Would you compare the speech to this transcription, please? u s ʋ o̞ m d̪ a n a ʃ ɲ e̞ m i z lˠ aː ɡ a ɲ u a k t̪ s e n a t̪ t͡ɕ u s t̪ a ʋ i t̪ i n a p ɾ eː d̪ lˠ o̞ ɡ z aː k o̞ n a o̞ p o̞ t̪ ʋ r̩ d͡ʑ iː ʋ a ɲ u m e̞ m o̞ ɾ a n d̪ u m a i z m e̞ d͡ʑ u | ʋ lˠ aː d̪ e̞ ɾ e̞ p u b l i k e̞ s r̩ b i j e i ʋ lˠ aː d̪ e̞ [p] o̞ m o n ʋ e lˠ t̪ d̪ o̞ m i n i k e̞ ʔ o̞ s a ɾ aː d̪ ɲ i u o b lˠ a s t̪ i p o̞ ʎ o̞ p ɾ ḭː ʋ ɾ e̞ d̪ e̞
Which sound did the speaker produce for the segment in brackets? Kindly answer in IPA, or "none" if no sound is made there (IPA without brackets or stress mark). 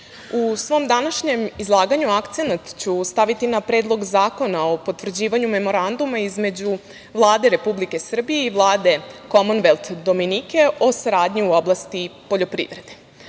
k